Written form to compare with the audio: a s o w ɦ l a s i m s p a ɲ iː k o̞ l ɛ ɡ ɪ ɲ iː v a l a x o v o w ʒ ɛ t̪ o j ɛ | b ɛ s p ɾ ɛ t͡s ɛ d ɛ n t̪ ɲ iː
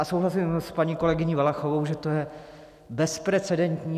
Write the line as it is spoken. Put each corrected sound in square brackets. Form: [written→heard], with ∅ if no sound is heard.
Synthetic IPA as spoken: a s o w ɦ l a s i m s p a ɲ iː k o̞ l ɛ ɡ ɪ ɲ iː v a l a x o v o w ʒ ɛ t̪ o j ɛ | b ɛ s p ɾ ɛ t͡s ɛ d ɛ n t̪ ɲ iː